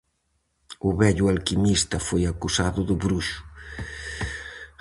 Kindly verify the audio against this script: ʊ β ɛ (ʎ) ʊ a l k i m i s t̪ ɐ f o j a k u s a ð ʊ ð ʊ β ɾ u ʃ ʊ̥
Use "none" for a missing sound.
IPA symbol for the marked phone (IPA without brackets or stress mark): ʎ